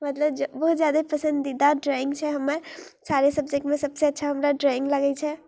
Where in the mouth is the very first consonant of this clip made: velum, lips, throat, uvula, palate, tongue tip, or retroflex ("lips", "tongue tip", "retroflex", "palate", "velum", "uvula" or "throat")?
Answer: lips